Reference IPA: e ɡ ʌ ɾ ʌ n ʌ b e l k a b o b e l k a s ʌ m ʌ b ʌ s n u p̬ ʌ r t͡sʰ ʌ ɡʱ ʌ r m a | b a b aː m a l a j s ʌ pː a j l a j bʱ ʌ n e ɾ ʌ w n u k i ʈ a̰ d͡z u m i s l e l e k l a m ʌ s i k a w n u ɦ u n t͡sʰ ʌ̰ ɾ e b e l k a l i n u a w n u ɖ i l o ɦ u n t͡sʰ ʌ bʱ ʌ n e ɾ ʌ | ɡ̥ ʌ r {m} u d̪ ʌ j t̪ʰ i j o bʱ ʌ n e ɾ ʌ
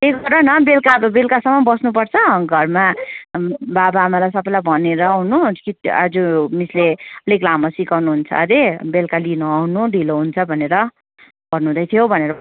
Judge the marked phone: incorrect: n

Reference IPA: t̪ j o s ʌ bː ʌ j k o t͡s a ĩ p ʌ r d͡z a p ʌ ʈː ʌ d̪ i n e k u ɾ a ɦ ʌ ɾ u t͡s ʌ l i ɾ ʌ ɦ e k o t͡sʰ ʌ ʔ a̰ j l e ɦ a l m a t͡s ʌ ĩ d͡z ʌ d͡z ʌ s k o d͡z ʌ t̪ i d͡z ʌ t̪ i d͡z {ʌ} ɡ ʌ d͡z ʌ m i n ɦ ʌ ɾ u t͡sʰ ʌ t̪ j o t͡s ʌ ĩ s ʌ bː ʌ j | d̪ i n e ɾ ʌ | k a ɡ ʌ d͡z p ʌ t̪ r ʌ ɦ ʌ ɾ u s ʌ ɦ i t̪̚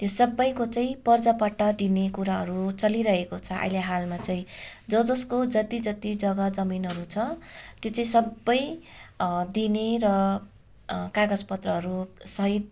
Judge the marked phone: correct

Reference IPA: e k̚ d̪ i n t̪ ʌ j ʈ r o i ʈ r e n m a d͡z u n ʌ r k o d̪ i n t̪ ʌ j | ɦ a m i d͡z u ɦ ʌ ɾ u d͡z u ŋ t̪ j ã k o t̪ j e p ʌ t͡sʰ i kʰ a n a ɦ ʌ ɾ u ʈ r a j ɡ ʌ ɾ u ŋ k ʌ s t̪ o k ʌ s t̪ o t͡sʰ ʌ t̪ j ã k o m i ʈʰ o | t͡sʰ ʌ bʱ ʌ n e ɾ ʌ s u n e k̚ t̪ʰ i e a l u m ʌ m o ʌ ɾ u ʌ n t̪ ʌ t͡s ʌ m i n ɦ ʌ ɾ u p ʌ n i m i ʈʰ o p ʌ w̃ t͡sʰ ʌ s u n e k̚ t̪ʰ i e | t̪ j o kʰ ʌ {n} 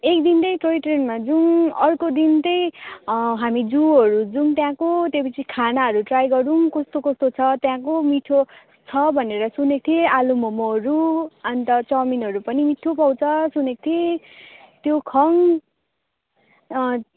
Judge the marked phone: incorrect: ŋ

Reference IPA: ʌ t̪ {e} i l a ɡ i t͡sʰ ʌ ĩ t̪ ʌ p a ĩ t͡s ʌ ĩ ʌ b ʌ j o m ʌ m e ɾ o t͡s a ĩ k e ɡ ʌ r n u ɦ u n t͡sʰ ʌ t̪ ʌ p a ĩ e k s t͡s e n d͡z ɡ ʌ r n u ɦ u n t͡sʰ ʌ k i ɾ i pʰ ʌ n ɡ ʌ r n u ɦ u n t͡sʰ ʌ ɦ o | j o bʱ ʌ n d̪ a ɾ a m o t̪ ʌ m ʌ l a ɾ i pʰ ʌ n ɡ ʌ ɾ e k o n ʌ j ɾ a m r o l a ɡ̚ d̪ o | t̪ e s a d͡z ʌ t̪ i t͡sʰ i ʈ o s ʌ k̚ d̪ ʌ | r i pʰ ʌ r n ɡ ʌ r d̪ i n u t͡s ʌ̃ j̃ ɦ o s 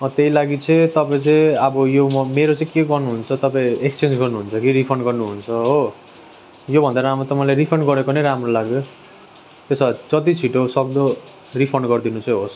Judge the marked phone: correct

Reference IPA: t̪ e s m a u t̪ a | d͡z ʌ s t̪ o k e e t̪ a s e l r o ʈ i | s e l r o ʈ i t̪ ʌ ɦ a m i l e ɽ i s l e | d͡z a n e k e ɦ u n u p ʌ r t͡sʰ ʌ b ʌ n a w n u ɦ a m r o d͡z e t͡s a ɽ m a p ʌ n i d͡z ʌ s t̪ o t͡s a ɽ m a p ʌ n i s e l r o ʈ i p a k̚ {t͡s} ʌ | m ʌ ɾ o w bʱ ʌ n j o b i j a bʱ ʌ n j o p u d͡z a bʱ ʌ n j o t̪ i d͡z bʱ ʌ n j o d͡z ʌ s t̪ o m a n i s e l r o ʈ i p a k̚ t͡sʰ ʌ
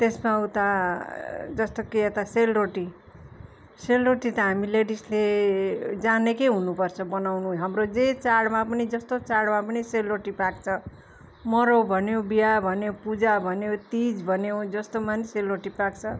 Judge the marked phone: incorrect: t͡sʰ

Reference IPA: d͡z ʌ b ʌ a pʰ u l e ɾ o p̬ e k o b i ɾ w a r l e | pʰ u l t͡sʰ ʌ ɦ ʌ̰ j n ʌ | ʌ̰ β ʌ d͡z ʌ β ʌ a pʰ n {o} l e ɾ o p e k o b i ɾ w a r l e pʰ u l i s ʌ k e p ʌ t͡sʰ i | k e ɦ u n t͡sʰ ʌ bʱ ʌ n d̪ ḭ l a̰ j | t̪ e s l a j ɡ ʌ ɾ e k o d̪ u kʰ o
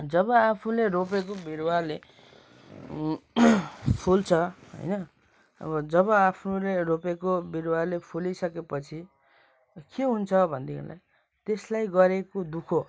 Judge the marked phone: incorrect: u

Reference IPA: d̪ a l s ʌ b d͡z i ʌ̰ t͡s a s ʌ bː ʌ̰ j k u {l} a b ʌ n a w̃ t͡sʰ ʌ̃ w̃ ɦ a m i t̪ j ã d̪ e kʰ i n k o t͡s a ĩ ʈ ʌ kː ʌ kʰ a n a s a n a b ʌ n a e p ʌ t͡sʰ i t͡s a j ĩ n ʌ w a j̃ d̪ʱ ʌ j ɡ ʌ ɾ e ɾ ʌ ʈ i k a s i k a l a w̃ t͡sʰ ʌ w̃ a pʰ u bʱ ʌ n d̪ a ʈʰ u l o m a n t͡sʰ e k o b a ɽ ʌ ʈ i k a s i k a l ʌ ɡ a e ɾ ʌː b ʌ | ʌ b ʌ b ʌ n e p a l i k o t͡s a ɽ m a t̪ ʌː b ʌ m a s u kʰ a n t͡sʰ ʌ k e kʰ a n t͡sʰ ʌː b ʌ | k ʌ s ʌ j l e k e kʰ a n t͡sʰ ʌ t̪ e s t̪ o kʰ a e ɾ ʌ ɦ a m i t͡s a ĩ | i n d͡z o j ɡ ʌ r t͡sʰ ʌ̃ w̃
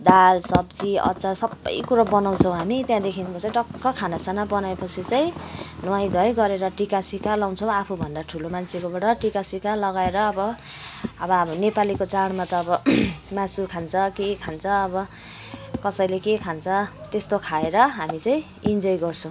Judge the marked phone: incorrect: ɾ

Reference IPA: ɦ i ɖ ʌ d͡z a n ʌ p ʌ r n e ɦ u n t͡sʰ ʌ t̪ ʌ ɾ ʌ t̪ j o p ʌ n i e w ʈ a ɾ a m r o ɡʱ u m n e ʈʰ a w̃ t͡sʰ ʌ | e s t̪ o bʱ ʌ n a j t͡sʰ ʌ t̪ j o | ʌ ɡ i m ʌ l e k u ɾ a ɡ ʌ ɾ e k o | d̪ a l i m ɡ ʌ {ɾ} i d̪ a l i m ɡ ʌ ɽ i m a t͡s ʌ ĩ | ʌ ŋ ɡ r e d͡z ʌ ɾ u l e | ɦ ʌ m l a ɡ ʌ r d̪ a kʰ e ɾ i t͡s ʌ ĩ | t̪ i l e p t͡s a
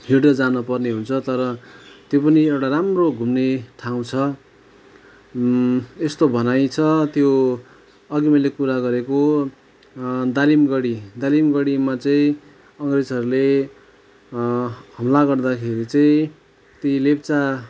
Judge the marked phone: incorrect: ɽ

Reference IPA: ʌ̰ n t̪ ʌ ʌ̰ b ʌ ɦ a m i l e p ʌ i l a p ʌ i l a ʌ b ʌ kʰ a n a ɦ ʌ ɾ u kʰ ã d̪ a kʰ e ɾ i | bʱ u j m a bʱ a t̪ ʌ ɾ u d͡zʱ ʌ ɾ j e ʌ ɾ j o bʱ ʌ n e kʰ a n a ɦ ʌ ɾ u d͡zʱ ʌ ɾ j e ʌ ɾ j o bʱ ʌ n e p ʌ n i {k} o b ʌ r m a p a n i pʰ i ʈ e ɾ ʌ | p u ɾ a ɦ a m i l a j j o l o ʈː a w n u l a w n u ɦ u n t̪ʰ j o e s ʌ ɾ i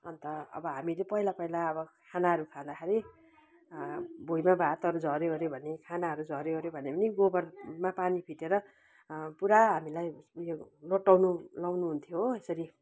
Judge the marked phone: incorrect: ɡ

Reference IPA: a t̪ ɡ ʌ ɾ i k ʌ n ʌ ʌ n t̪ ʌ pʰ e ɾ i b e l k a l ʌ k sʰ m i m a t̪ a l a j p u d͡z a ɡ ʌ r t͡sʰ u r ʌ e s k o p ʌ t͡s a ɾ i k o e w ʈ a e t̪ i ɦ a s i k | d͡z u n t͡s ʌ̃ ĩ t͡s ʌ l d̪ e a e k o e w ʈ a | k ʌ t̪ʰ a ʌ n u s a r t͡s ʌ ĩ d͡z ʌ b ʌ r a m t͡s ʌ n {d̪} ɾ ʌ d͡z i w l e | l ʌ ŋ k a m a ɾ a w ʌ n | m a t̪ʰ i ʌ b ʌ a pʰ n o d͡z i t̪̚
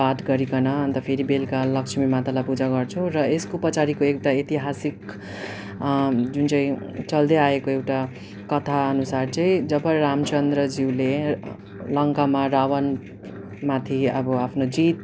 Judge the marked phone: correct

